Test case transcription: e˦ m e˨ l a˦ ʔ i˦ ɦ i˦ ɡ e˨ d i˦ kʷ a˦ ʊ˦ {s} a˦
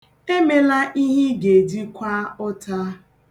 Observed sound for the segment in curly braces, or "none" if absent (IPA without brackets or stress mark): t